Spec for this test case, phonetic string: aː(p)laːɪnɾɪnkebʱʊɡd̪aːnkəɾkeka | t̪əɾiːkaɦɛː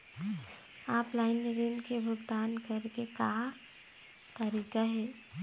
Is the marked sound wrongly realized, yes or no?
no